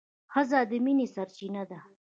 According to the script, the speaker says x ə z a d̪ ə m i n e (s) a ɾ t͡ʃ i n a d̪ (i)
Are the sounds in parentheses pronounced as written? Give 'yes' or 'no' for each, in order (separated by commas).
yes, no